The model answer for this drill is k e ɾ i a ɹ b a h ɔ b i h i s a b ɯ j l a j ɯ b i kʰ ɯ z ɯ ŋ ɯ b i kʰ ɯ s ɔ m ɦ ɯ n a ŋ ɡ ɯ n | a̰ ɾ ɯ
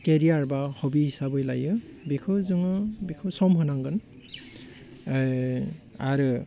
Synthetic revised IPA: k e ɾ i a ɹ b a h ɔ b i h i s a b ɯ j l a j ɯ b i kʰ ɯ z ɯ ŋ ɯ b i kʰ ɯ s ɔ m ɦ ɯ n a ŋ ɡ ɯ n | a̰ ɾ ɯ